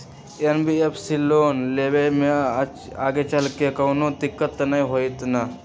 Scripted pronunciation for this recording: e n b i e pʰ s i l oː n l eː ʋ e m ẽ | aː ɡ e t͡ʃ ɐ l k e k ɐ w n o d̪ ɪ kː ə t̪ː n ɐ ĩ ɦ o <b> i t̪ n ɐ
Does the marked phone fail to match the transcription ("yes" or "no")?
yes